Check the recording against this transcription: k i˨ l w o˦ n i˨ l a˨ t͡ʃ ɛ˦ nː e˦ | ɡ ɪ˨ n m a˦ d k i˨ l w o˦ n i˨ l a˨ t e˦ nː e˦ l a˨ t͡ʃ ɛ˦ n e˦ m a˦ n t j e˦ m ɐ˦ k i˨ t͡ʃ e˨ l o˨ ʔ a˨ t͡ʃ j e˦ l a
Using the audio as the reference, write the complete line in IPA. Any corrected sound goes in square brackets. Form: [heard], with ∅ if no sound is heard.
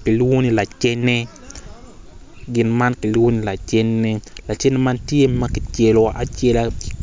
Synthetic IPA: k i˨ l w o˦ n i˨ l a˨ t͡ʃ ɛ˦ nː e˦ | ɡ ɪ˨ n m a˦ [n] k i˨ l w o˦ n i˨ l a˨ [t͡ʃ] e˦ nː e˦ l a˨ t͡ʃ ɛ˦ n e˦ m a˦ n t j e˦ m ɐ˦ k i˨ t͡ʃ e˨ l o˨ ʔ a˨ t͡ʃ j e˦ l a